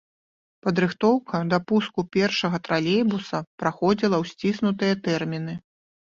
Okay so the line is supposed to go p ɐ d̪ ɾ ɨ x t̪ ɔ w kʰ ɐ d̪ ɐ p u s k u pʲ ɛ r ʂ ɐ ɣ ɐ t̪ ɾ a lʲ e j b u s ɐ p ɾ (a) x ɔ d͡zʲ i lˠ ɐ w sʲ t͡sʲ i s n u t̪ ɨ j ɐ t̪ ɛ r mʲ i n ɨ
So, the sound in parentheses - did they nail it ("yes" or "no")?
yes